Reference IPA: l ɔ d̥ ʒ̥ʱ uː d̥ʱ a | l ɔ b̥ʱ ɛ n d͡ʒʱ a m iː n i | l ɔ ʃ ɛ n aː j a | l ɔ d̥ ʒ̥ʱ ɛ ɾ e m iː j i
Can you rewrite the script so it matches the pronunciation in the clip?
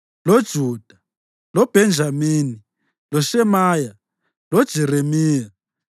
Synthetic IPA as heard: l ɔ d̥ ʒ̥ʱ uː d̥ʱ a | l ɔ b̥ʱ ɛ n d͡ʒʱ a m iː n i | l ɔ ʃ ɛ m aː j a | l ɔ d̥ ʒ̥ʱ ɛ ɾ e m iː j a